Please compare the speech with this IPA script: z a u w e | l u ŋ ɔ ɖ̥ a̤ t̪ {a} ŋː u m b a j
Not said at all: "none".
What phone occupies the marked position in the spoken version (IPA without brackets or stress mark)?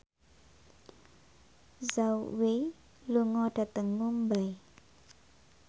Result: ə